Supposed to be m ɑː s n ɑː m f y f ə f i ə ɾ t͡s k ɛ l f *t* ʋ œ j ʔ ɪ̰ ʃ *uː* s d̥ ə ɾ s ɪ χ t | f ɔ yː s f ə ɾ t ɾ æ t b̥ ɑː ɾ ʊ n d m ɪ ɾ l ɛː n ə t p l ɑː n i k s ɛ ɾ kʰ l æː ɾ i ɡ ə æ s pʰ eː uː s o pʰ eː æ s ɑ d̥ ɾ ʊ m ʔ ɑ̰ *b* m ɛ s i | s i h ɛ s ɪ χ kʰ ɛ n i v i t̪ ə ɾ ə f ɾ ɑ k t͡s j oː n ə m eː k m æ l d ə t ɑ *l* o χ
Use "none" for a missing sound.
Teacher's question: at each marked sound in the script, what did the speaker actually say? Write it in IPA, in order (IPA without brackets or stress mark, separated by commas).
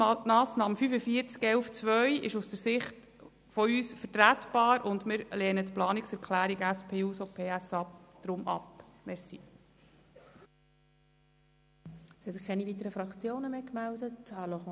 t͡s, u, p, l